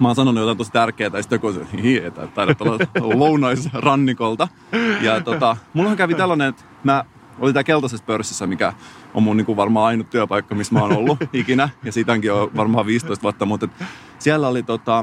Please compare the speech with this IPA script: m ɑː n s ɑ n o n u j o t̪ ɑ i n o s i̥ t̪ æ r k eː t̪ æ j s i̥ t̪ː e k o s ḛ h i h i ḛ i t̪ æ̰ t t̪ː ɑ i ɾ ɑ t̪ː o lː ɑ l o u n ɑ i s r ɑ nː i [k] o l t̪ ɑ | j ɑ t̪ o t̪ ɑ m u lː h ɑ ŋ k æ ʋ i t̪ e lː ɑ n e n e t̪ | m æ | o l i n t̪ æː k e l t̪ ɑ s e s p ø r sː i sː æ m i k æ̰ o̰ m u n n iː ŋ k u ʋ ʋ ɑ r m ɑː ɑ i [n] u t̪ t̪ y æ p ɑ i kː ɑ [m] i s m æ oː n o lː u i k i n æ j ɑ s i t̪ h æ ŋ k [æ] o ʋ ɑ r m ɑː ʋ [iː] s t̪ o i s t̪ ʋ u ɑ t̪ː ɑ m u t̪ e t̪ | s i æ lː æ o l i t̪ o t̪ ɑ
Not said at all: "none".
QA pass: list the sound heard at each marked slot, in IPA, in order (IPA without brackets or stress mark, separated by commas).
k, n, m, i, iː